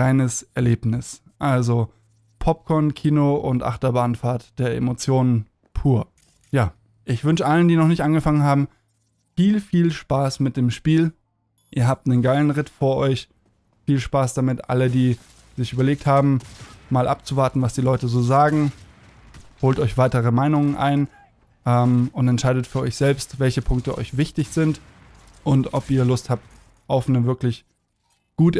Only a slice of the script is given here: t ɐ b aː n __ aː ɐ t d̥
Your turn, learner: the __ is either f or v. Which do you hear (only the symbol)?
f